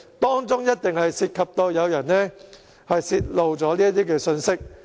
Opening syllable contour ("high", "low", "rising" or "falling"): high